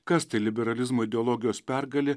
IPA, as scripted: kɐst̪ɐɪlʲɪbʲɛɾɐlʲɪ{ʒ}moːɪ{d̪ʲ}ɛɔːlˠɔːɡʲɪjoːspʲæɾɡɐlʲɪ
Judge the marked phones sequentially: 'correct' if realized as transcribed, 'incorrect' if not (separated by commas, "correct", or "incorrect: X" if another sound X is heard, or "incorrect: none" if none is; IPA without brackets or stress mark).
incorrect: z, correct